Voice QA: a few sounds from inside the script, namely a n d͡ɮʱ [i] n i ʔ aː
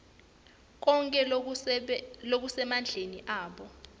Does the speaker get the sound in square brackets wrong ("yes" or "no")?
yes